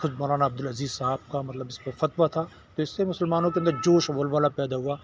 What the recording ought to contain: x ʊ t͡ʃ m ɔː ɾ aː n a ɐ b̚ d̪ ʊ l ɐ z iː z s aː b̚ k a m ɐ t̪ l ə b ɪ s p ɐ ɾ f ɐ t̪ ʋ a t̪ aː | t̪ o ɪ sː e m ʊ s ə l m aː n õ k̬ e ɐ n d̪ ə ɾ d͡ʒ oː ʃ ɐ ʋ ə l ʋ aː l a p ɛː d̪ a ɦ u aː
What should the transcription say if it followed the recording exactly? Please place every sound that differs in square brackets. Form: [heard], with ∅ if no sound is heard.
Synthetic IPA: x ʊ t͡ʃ m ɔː ɾ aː n a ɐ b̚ d̪ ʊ l ɐ z iː z s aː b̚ k a m ɐ t̪ l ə b ɪ s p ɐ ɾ f ɐ t̪ ʋ a [t̪ʰ] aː | t̪ o ɪ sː e m ʊ s ə l m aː n õ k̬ e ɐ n d̪ ə ɾ d͡ʒ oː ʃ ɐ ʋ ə l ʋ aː l a p ɛː d̪ a ɦ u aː